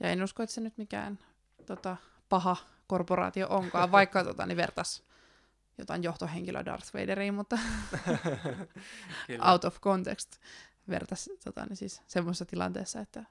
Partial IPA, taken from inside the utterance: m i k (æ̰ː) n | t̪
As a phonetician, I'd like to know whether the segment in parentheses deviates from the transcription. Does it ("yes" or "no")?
no